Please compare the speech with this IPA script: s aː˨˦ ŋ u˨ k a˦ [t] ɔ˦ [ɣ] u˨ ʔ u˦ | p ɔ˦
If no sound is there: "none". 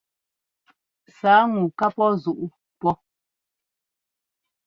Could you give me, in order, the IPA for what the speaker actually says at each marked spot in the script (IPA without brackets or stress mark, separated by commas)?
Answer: p, z